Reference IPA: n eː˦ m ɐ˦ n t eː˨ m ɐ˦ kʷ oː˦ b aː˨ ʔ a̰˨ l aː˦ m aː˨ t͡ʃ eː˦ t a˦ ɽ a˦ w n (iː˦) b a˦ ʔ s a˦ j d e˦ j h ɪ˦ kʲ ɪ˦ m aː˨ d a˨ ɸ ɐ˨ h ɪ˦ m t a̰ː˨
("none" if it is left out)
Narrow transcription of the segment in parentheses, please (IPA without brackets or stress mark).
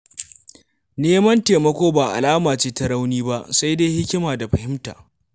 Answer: iː˦